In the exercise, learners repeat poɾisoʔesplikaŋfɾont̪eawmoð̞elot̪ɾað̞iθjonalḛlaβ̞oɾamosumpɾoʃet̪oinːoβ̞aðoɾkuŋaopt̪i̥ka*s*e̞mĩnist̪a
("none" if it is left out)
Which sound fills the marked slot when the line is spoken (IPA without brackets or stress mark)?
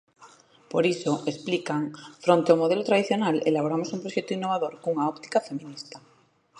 f